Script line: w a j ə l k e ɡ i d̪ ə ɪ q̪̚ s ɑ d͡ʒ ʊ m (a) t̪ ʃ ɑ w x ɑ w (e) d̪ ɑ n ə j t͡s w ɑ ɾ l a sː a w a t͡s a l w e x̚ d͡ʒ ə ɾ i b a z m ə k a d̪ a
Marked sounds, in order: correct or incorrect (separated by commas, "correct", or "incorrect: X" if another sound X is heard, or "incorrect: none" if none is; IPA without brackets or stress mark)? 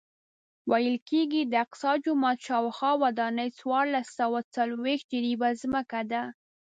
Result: incorrect: ɑ, incorrect: a